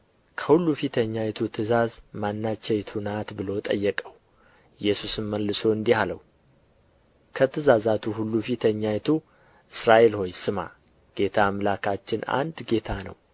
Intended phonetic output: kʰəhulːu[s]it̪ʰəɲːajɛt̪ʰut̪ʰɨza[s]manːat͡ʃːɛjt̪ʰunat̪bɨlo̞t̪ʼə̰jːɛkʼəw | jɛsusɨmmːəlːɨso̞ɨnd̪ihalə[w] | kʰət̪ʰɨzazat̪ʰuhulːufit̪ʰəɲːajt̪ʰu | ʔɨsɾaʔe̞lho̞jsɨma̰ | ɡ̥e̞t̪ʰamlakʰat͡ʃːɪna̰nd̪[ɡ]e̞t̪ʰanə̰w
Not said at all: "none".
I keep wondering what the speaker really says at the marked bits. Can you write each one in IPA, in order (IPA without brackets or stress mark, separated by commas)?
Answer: f, z, w, ɡ